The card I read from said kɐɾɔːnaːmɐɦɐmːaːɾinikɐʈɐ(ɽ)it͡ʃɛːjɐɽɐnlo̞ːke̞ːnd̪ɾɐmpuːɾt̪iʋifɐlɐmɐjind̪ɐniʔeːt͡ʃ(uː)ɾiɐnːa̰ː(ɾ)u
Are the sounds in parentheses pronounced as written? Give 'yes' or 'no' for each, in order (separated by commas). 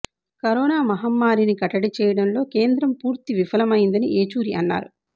yes, yes, yes